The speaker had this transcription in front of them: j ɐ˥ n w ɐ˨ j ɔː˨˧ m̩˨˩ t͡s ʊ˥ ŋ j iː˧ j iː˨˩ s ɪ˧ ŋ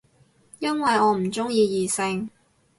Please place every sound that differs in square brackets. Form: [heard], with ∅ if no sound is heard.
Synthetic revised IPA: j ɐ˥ n w ɐ˨ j ɔː˨˧ m̩˨˩ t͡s ʊ˥ ŋ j iː˧ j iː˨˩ s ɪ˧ ŋ